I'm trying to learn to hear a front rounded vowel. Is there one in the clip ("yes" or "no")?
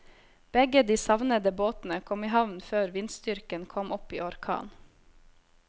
yes